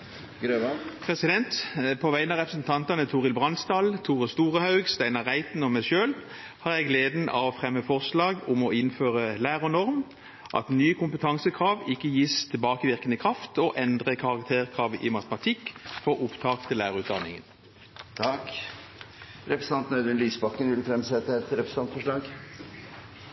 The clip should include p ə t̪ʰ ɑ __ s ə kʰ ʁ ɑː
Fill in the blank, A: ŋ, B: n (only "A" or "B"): A